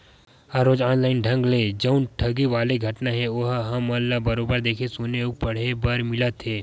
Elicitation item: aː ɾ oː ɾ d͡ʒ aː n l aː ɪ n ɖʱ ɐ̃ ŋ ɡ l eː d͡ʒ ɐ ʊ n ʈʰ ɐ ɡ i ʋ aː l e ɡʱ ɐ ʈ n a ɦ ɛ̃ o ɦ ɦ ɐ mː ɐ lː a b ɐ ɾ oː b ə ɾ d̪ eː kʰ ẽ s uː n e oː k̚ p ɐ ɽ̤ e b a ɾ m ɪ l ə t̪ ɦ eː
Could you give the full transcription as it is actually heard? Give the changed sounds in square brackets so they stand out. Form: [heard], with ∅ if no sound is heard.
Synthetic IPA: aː ɾ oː [∅] d͡ʒ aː n l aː ɪ n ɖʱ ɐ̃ ŋ ɡ l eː d͡ʒ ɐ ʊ n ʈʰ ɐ ɡ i ʋ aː l e ɡʱ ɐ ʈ n a ɦ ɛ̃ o ɦ ɦ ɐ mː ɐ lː a b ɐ ɾ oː b ə ɾ d̪ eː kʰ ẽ s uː n e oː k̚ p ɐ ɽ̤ e b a ɾ m ɪ l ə t̪ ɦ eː